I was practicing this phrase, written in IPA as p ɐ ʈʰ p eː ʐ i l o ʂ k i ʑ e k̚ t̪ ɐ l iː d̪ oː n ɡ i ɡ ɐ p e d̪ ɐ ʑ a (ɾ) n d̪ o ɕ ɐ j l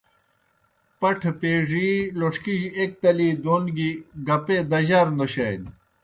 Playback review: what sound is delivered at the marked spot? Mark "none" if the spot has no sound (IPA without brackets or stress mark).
ɾ